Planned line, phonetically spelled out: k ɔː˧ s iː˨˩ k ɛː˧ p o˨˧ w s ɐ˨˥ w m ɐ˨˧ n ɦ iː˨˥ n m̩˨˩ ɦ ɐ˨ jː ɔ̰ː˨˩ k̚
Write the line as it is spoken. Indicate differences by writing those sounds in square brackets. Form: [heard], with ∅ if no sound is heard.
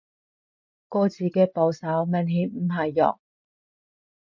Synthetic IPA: k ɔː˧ [t͡s] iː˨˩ k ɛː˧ p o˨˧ w s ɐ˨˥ w m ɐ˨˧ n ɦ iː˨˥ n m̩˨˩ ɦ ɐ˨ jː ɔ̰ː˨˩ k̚

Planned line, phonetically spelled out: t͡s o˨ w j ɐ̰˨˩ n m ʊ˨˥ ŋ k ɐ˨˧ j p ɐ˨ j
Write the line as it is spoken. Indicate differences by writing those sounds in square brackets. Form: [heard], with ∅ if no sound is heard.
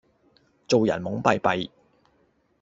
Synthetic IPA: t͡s o˨ w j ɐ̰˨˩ n m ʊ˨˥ ŋ [p] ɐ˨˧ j p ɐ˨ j

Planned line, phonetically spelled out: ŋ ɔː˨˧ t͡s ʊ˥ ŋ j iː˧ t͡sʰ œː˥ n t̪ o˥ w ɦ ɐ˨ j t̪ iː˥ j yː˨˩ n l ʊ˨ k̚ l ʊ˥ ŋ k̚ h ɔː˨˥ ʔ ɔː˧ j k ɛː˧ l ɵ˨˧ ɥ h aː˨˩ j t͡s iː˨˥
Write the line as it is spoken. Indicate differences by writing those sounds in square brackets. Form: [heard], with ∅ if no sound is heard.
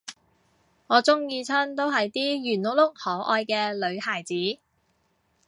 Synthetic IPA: ŋ ɔː˨˧ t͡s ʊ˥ ŋ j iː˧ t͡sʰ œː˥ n t̪ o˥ w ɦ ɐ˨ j t̪ iː˥ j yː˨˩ n l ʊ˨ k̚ l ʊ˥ [∅] k̚ h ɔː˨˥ ʔ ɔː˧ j k ɛː˧ l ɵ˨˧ ɥ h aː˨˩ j t͡s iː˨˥

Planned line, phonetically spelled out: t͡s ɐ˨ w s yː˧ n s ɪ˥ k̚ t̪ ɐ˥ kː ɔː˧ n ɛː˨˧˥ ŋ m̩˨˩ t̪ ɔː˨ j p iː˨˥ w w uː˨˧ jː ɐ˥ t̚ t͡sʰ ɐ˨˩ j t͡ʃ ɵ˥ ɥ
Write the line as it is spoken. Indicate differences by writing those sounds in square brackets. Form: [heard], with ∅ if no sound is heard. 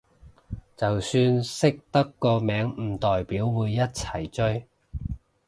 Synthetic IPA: t͡s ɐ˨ w s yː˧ n s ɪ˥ k̚ t̪ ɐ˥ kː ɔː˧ [m] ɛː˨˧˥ ŋ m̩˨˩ t̪ ɔː˨ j p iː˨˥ w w uː˨˧ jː ɐ˥ t̚ t͡sʰ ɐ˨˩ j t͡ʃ ɵ˥ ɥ

